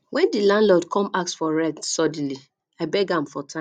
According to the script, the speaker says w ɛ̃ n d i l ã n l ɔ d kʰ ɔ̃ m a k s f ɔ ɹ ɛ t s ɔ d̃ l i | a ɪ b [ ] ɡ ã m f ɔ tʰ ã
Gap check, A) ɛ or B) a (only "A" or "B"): A